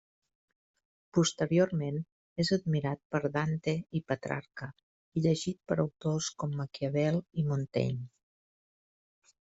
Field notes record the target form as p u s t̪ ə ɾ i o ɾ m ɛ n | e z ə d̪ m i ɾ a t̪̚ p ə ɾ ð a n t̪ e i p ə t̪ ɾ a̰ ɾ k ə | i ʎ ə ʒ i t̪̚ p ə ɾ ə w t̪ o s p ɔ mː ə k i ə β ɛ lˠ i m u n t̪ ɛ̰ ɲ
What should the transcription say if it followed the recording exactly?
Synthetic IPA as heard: p u s t̪ ə ɾ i o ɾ m e n | e z ə d̪ m i ɾ a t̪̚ p ə ɾ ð a n t̪ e i p ə t̪ ɾ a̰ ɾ k ə | i ʎ ə ʒ i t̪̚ p ə ɾ ə w t̪ o s k ɔ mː ə k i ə β ɛ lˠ i m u n t̪ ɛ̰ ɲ